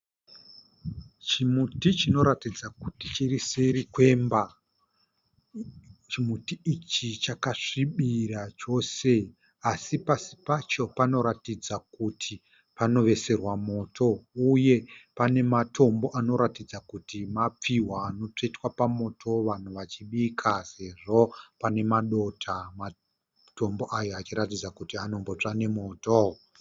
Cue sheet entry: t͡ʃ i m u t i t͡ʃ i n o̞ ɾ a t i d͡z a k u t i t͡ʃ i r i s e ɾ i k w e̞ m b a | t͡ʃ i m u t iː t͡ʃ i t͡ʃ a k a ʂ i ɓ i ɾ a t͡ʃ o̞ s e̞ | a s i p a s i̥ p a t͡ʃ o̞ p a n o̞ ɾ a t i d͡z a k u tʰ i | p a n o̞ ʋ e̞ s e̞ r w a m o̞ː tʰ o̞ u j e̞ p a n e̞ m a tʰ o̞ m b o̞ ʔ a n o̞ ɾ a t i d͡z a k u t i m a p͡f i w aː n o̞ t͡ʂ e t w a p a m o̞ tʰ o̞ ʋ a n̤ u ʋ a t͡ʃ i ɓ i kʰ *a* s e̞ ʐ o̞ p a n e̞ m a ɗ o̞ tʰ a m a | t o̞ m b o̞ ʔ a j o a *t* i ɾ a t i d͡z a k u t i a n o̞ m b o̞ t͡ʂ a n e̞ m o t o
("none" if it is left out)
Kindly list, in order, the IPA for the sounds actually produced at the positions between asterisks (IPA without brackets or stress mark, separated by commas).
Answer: a, t͡ʃ